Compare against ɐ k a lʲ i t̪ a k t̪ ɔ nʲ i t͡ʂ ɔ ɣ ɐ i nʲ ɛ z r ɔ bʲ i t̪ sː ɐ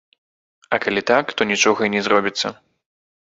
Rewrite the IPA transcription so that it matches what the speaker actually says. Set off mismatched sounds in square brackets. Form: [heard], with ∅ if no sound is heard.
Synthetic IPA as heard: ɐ k a lʲ i t̪ a k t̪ ɔ nʲ i t͡ʂ ɔ ɣ ɐ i nʲ ɛ z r ɔ bʲ i t̪ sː ɐ